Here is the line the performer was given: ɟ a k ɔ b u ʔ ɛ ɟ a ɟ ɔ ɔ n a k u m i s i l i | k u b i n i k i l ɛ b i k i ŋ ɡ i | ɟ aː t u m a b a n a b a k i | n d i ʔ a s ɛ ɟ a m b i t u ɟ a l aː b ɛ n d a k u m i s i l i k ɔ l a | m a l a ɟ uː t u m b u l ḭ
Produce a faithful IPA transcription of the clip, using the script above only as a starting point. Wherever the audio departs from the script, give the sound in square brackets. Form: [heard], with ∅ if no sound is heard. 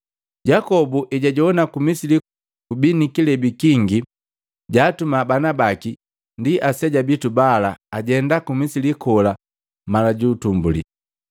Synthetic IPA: ɟ a k ɔ b u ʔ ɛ ɟ a ɟ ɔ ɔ n a k u m i s i l i | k u b i n i k i l ɛ b i k i ŋ ɡ i | ɟ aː t u m a b a n a b a k i | n d i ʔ a s ɛ ɟ a [∅] b i t u [b] a l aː [ɟ] ɛ n d a k u m i s i l i k ɔ l a | m a l a ɟ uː t u m b u l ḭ

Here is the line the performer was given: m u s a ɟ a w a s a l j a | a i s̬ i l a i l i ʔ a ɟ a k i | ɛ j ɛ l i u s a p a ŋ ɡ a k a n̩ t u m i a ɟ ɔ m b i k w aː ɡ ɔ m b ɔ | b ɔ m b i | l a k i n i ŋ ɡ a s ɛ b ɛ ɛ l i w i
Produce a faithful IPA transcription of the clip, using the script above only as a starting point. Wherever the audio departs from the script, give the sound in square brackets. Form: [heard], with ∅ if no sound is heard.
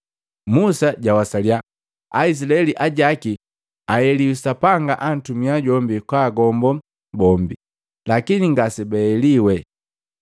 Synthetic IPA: m u s a ɟ a w a s a l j a | a i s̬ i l a [ɛ] l i ʔ a ɟ a k i | [a] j ɛ l i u s a p a ŋ ɡ a [ʔ] a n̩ t u m i a ɟ ɔ m b i k w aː ɡ ɔ m b ɔ | b ɔ m b i | l a k i n i ŋ ɡ a s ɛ b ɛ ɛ l i w [ɛ]

